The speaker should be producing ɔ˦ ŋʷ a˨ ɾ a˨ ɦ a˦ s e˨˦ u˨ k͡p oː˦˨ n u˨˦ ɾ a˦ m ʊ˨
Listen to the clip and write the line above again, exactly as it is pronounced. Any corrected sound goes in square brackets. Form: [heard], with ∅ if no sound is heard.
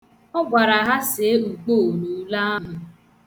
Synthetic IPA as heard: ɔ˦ [ɡʷ] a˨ ɾ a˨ ɦ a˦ s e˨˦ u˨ k͡p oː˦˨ n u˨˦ [l] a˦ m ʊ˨